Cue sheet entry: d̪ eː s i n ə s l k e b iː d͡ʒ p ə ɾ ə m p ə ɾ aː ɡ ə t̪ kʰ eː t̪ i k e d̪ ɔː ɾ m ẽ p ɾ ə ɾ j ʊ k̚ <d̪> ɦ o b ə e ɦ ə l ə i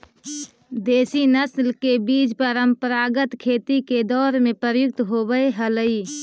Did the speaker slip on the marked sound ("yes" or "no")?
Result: yes